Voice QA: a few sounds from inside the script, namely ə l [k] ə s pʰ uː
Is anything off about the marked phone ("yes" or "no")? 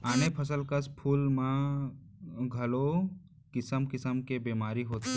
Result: no